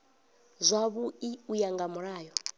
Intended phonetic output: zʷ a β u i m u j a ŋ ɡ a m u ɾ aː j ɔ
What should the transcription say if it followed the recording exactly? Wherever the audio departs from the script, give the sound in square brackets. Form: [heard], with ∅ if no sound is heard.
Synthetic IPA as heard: zʷ a β u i [∅] u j a ŋ ɡ a m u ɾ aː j ɔ